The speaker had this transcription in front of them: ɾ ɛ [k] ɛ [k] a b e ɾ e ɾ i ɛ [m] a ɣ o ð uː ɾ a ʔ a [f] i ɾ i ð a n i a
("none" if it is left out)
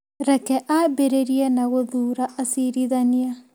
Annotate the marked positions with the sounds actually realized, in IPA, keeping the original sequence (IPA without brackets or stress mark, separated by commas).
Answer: k, ʔ, n, s